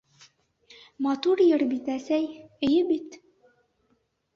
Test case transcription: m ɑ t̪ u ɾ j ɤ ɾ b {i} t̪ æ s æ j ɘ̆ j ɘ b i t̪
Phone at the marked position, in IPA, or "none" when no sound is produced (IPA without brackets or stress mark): i